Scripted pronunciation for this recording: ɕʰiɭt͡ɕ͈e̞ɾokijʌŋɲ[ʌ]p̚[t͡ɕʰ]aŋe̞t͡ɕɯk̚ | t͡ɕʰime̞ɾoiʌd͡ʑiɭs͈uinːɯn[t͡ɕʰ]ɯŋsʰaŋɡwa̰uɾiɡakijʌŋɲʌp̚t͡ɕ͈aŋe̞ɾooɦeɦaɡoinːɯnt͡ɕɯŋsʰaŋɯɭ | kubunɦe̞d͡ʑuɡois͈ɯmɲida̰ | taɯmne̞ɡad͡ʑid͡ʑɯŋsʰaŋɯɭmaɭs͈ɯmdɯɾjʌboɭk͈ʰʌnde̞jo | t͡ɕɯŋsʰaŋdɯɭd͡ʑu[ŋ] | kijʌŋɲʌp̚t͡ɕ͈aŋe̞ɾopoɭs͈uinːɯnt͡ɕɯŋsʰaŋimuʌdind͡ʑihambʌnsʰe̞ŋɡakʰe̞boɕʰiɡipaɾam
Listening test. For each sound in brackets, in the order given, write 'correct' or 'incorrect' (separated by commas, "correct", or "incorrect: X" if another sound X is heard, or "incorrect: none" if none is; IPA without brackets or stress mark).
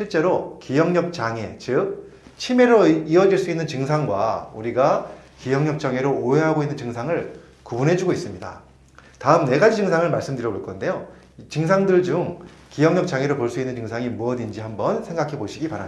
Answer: correct, incorrect: t͡ɕ, incorrect: t͡ɕ, correct